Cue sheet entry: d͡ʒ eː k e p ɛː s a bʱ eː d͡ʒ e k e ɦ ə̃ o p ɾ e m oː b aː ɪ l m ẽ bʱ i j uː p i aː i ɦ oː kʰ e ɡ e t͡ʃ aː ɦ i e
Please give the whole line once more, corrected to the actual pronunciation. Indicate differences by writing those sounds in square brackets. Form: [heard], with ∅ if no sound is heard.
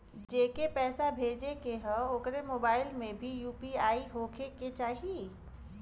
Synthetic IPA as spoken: d͡ʒ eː k e p ɛː s a bʱ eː d͡ʒ e k e ɦ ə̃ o [k] ɾ e m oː b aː ɪ l m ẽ bʱ i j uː p i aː i ɦ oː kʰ e [k] e t͡ʃ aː ɦ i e